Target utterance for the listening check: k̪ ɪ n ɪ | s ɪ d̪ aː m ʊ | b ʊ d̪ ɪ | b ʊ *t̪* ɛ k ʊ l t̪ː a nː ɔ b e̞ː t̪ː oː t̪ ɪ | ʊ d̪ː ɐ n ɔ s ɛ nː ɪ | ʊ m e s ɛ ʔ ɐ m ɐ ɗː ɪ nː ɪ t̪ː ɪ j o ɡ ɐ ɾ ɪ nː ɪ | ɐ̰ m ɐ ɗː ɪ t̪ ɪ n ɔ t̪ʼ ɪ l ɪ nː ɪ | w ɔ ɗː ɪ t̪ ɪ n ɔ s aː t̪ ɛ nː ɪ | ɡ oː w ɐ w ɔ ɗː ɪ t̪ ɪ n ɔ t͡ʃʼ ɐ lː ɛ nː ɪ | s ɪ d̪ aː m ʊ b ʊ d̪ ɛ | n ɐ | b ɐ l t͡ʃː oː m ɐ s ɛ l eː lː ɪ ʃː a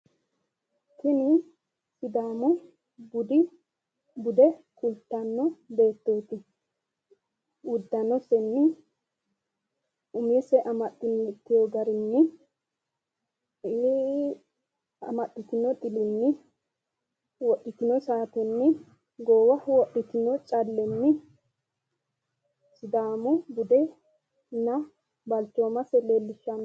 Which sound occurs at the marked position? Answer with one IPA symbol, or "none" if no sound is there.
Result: d̪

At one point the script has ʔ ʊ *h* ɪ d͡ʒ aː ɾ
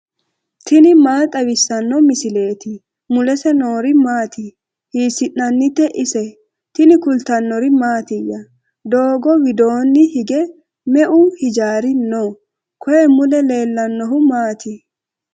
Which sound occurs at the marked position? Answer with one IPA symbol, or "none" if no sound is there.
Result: h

